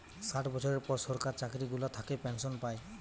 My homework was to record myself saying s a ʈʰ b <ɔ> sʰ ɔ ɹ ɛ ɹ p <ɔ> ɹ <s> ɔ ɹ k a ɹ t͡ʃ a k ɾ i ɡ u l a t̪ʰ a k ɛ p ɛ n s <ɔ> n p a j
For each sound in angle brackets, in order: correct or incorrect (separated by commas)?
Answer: correct, correct, correct, correct